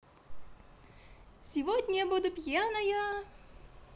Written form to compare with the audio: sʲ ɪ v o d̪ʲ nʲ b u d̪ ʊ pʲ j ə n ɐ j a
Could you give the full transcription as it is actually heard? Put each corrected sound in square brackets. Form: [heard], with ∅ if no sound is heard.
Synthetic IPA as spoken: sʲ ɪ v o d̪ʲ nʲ b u d̪ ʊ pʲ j [a] n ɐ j a